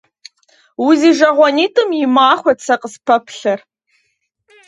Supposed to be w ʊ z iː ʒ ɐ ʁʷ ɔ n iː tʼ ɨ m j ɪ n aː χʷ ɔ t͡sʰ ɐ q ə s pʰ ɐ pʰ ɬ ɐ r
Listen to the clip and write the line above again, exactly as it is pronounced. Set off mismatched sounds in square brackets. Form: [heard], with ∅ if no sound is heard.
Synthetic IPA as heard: w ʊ z iː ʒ ɐ ʁʷ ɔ n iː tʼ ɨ m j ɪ [m] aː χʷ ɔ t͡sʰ ɐ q ə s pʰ ɐ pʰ ɬ ɐ r